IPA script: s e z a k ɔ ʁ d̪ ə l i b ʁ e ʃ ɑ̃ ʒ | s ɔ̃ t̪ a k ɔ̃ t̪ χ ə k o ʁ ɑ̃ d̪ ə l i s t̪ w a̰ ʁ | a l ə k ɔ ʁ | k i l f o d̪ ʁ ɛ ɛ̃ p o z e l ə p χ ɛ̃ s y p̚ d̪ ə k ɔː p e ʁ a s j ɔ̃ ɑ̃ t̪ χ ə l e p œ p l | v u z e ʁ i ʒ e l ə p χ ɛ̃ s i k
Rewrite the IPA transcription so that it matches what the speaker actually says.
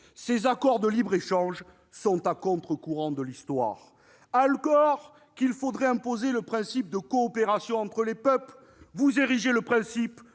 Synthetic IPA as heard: s e z a k ɔ ʁ d̪ ə l i b ʁ e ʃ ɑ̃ ʒ | s ɔ̃ t̪ a k ɔ̃ t̪ χ ə k u ʁ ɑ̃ d̪ ə l i s t̪ w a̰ ʁ | a l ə k ɔ ʁ | k i l f o d̪ ʁ ɛ ɛ̃ p o z e l ə p χ ɛ̃ s i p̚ d̪ ə k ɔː p e ʁ a s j ɔ̃ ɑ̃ t̪ χ ə l e p œ p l | v u z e ʁ i ʒ e l ə p χ ɛ̃ s i p